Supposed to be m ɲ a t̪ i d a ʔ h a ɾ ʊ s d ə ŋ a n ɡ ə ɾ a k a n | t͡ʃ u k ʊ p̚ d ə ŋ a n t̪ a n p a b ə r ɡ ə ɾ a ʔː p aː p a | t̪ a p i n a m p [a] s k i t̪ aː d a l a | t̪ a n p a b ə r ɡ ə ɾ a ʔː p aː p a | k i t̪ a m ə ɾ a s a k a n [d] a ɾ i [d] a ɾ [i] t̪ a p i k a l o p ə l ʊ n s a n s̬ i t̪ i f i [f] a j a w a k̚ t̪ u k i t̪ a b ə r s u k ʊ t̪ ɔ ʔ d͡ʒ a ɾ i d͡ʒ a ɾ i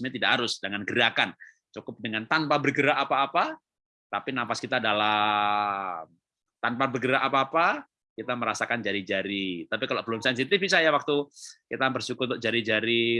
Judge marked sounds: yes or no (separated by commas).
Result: yes, no, no, yes, no